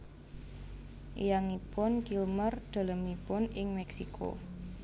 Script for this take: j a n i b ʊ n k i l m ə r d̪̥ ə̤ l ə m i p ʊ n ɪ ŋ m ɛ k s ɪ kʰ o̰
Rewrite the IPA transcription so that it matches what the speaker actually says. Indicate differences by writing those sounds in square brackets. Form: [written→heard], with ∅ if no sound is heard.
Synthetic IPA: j a [n→ŋ] i [b→p] ʊ n k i l m ə r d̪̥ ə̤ l ə m i p ʊ n ɪ ŋ m ɛ k s [ɪ→i] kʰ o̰